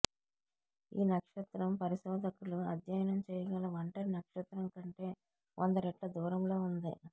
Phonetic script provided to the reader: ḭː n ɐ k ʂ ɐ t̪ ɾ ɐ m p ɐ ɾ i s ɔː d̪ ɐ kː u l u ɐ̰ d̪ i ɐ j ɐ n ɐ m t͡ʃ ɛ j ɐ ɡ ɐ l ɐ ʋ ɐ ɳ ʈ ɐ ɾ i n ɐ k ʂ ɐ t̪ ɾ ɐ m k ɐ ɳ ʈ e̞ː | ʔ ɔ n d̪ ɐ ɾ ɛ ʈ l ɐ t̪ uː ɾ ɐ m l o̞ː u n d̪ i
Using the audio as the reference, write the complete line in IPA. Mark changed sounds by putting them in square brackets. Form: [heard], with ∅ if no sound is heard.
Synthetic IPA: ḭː n ɐ k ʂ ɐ t̪ ɾ ɐ m p ɐ ɾ i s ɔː d̪ ɐ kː u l u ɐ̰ d̪ [j] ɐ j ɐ n ɐ m t͡ʃ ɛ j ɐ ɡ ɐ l ɐ ʋ ɐ ɳ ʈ ɐ ɾ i n ɐ k ʂ ɐ t̪ ɾ ɐ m k ɐ ɳ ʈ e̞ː | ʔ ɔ n d̪ ɐ ɾ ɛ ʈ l ɐ [d̪] uː ɾ ɐ m l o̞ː u n d̪ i